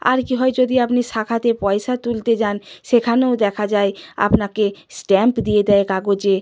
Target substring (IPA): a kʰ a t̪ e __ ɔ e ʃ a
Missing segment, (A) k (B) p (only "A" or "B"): B